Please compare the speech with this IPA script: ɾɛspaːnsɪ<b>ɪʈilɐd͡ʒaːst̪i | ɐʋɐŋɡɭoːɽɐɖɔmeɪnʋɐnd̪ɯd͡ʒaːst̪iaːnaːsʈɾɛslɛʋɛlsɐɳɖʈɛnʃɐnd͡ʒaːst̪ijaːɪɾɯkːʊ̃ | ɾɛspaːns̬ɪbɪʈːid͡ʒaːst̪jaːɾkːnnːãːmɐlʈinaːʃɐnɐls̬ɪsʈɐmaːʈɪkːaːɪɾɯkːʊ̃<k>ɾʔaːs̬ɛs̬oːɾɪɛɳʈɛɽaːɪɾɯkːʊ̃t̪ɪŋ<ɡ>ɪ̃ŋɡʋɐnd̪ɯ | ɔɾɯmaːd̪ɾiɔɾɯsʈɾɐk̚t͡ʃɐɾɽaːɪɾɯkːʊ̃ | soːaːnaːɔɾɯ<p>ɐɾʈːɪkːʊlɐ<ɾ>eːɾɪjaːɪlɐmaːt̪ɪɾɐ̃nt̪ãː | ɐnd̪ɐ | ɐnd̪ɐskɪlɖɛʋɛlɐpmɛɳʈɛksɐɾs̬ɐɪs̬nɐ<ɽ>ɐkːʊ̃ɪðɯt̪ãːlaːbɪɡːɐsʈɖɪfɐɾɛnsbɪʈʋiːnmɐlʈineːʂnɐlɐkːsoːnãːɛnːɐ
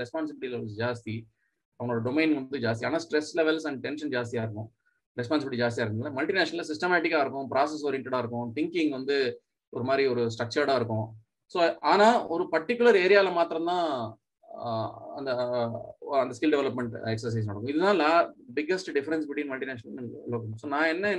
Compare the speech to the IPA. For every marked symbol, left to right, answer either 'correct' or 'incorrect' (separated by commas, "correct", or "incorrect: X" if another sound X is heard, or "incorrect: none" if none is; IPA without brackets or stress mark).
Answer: correct, incorrect: p, incorrect: k, correct, correct, correct